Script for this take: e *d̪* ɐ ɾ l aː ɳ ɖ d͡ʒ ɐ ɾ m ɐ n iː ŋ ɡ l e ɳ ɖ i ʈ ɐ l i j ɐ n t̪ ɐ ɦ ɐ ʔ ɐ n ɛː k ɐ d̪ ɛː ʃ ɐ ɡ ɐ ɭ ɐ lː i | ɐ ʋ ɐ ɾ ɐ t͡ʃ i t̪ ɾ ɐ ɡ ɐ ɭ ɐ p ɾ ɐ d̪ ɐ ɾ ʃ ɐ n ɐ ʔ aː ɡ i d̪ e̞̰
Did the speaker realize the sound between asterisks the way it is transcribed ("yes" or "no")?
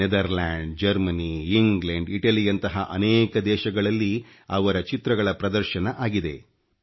yes